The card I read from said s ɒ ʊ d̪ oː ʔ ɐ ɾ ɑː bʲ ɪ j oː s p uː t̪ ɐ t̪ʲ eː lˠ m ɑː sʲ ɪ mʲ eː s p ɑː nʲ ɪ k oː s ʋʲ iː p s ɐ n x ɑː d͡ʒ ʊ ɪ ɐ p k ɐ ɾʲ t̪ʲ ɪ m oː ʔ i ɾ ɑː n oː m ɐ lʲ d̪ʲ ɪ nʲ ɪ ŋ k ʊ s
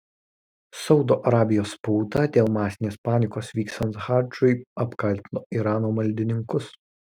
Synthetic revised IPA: s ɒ ʊ d̪ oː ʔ ɐ ɾ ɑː bʲ ɪ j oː s p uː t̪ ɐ d̪ʲ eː lˠ m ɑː sʲ ɪ nʲ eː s p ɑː nʲ ɪ k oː s ʋʲ iː k s ɐ n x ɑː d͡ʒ ʊ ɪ ɐ p k ɐ lʲ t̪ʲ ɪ n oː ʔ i ɾ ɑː n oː m ɐ lʲ d̪ʲ ɪ nʲ ɪ ŋ k ʊ s